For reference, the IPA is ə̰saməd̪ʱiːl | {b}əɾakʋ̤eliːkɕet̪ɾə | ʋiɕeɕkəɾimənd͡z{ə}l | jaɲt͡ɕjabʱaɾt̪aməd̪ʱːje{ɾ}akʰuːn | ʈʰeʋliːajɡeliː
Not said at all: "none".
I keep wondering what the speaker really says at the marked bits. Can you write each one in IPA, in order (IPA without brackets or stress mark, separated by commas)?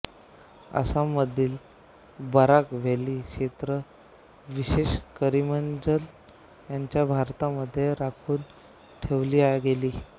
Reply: b, ə, ɾ